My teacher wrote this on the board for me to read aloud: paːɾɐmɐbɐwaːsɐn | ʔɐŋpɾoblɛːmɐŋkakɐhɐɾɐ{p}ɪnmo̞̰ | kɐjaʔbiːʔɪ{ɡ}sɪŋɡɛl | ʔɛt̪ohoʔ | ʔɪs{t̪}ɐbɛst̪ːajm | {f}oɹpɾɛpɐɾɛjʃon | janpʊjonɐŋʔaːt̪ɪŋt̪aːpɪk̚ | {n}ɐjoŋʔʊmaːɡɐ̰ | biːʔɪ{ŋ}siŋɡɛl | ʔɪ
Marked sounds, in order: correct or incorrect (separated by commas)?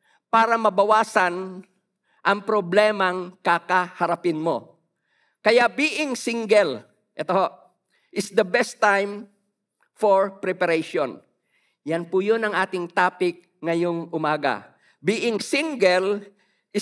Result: correct, incorrect, incorrect, correct, incorrect, correct